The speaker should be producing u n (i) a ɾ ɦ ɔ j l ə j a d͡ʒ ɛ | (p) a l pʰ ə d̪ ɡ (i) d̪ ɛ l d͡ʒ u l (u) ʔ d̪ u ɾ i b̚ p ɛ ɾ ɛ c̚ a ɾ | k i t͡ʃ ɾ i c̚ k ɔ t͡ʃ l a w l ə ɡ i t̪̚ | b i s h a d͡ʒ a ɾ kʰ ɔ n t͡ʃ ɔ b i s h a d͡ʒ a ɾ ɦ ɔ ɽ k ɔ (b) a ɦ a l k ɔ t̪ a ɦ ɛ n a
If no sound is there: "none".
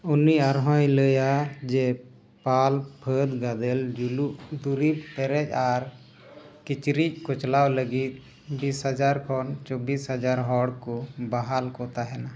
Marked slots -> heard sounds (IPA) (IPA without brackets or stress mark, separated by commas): i, p, a, u, b